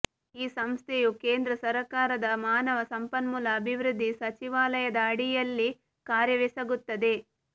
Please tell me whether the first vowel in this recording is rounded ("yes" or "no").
no